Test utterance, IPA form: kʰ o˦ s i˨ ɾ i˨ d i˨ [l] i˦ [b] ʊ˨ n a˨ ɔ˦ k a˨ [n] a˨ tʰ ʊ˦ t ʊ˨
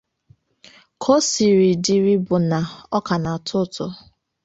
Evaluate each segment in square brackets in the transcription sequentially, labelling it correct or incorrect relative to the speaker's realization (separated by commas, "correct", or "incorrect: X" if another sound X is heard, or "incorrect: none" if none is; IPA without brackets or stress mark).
incorrect: ɾ, correct, correct